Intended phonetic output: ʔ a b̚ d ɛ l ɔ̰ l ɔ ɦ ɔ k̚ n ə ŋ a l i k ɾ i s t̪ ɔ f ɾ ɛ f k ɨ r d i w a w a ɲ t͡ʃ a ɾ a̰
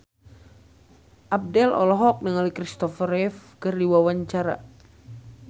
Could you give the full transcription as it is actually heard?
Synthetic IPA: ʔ a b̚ d ɛ l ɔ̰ l ɔ ɦ ɔ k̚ n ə ŋ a l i k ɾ i s t̪ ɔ f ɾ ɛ f k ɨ r d i w a w a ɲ t͡ʃ a ɾ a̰